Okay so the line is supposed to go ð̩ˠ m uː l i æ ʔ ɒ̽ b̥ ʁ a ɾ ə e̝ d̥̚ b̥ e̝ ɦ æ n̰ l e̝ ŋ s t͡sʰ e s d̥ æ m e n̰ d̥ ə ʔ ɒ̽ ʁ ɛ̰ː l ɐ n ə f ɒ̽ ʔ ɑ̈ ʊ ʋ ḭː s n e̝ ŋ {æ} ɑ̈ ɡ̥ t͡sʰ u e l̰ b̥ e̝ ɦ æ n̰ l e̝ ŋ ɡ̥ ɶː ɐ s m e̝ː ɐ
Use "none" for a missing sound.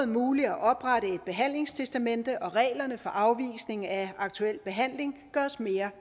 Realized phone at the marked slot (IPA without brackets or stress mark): æ